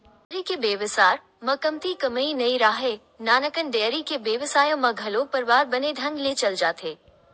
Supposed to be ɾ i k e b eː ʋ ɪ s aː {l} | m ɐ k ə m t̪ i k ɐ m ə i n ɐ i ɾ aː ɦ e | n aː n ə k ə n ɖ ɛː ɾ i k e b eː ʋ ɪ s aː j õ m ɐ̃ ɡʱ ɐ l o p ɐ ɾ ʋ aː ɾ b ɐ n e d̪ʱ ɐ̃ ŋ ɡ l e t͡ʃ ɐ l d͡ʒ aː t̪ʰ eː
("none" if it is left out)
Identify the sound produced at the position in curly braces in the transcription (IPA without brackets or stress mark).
ɾ